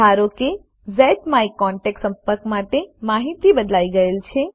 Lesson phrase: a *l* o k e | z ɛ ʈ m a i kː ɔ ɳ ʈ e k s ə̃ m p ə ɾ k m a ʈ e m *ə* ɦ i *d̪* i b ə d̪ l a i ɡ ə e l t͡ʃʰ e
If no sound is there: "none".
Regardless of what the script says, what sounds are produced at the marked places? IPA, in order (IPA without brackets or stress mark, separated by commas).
ɾ, a, t̪